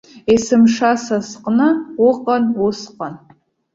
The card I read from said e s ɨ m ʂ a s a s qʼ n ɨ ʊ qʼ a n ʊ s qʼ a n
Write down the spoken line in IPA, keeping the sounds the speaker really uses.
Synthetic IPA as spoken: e s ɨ m ʂ a s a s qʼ n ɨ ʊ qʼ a n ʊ s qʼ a n